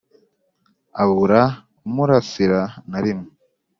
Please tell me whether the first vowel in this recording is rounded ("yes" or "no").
no